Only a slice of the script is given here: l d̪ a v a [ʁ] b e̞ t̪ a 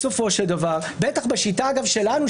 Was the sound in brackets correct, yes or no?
yes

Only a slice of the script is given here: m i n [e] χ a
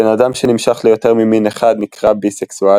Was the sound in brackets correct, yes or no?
yes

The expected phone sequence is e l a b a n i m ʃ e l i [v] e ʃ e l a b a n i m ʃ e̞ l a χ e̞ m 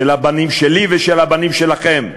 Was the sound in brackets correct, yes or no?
yes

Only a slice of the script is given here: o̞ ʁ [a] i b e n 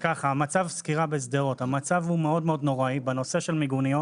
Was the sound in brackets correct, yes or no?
yes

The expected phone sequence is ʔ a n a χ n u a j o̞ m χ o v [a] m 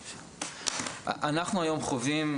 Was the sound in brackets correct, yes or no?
no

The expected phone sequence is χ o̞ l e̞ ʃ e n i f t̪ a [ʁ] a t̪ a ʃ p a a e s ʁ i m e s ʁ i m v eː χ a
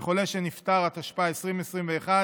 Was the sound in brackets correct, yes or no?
yes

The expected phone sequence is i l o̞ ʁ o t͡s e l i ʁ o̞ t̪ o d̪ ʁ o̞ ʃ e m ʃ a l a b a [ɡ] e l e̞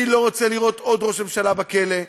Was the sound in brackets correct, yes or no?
no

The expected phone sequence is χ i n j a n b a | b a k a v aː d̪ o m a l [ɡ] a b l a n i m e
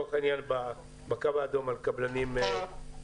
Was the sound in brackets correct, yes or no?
no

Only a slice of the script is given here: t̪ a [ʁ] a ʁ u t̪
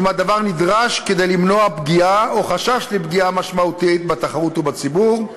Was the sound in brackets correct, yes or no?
no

